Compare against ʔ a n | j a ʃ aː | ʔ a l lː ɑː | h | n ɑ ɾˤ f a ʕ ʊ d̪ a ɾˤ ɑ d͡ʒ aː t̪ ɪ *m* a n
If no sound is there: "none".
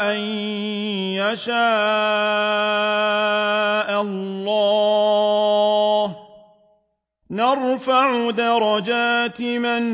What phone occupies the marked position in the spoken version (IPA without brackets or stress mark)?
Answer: m